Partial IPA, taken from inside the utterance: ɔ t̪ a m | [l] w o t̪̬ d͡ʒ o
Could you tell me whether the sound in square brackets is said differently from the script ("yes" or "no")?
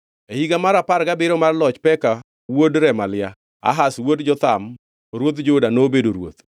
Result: yes